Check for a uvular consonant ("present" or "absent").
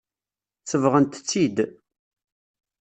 present